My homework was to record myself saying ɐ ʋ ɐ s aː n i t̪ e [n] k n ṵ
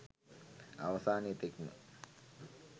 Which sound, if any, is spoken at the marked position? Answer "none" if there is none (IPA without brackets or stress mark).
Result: none